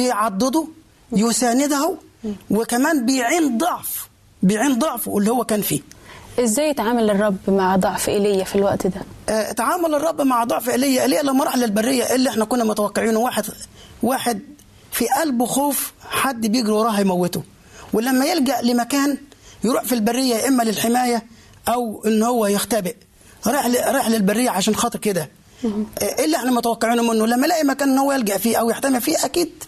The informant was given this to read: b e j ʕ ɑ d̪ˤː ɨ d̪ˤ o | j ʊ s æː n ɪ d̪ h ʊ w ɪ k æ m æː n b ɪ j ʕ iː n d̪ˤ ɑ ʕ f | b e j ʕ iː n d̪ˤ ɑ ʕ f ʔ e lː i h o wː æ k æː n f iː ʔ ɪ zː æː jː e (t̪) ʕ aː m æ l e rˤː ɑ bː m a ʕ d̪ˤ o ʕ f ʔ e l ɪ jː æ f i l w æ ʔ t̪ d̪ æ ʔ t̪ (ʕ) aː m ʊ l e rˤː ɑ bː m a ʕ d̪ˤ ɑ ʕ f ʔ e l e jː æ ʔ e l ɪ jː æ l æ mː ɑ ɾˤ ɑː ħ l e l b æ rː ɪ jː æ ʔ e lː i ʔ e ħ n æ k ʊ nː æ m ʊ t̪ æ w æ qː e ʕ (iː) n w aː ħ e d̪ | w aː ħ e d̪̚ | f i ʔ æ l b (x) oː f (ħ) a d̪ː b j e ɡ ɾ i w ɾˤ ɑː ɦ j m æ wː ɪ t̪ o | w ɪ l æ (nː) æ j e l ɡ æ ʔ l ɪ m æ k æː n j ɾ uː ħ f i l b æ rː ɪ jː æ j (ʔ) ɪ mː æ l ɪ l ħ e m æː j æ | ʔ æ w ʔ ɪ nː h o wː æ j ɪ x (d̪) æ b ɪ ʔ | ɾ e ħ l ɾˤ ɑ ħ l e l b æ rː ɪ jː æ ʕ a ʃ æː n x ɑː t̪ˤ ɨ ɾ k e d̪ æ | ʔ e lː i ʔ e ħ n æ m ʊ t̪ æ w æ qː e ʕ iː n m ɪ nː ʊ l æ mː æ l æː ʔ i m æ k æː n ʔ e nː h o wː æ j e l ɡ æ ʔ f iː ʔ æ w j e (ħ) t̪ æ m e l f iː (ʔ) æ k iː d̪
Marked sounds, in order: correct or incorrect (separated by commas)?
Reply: correct, correct, correct, correct, correct, incorrect, correct, incorrect, correct, correct